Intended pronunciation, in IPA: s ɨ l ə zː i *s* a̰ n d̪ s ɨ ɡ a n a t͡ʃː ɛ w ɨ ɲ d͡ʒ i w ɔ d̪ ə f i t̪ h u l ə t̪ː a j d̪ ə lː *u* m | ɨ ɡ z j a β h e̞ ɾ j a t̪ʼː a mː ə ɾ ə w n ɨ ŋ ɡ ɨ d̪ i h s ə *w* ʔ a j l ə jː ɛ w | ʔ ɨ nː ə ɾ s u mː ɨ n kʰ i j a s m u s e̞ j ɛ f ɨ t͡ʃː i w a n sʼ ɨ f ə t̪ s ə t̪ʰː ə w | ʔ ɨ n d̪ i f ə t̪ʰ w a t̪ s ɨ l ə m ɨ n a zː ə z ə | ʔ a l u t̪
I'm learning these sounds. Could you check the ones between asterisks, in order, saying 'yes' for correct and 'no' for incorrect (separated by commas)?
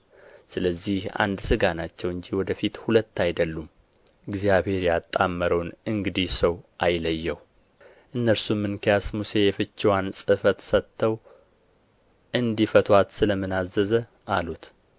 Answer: no, yes, yes